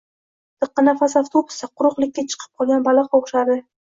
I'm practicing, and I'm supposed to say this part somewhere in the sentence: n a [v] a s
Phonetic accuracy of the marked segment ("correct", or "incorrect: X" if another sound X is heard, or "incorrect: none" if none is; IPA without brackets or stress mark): incorrect: f